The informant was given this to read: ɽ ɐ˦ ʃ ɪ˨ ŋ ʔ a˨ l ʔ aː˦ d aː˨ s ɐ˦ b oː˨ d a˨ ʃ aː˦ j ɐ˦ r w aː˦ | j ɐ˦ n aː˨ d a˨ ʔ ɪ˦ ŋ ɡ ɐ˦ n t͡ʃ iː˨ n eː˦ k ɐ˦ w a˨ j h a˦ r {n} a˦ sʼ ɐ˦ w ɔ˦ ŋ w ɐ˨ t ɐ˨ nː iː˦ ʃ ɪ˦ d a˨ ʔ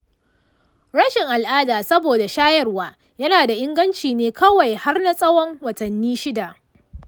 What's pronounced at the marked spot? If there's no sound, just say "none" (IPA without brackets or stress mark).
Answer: n